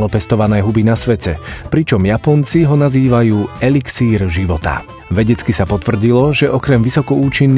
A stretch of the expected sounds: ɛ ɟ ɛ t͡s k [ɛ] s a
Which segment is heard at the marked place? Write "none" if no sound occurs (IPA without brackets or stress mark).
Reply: i